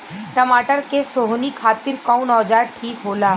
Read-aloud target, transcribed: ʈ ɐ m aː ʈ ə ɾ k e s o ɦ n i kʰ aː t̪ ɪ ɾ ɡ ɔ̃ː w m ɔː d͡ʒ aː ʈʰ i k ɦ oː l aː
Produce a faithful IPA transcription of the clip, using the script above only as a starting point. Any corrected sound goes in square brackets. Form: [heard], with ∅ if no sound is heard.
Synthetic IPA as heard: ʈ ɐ m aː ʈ ə ɾ k e s o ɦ n i kʰ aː t̪ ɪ ɾ [k] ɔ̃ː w [n] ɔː d͡ʒ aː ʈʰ [iː] k ɦ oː l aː